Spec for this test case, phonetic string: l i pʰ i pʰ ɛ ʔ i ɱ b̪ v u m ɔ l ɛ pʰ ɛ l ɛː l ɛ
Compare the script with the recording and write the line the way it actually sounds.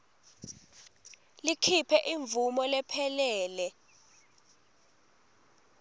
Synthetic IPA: l i kʰ i pʰ ɛ ʔ i ɱ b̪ v u m ɔ l ɛ pʰ ɛ l ɛː l ɛ